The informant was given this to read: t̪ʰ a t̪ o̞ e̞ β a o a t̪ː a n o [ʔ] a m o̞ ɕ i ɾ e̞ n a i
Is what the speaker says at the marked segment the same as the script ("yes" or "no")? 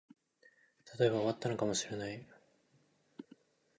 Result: no